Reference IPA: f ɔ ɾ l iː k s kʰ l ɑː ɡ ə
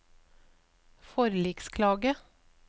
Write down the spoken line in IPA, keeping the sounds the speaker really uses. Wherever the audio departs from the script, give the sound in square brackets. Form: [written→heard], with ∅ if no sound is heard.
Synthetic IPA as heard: f ɔ ɾ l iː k s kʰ l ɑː ɡ ə